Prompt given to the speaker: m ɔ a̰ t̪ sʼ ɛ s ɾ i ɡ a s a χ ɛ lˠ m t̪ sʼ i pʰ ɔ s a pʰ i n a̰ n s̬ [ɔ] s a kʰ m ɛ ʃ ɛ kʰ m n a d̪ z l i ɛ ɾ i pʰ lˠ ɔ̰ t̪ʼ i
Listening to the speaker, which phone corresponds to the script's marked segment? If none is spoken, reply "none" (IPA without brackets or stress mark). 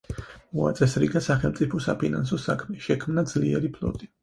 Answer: ɔ